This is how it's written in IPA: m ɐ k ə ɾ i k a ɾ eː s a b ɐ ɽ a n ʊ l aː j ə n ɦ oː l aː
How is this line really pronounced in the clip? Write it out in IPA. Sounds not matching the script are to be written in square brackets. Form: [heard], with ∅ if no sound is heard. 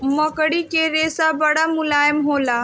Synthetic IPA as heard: m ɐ k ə [ɽ] i k [e] ɾ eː s a b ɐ ɽ a [m] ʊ l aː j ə [m] ɦ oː l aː